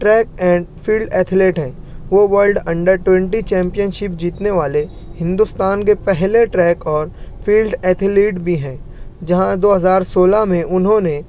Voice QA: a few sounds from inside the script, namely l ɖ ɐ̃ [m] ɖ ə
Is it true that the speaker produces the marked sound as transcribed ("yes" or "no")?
no